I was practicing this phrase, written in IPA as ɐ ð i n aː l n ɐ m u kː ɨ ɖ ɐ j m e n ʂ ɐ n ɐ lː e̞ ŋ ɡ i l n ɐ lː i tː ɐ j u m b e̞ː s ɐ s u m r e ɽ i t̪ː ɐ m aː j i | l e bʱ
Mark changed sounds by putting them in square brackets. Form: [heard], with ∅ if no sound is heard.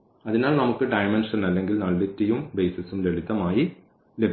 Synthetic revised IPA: ɐ ð i n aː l n ɐ m u kː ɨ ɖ ɐ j m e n ʂ ɐ n ɐ lː e̞ ŋ ɡ i l n ɐ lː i tː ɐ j u m b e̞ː s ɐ s u m [l] e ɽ i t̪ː ɐ m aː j i | l e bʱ